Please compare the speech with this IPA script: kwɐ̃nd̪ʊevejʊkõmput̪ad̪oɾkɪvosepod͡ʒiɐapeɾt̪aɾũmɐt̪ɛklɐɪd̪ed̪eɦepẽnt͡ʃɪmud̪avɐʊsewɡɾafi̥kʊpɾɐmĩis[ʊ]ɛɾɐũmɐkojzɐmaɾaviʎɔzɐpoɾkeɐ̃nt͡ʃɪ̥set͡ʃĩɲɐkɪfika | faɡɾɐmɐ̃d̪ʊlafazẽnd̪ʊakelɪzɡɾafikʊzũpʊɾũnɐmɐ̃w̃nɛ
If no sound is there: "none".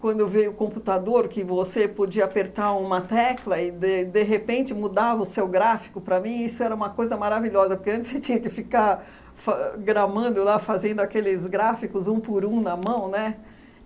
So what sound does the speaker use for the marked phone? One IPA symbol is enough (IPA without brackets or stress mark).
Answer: ʊ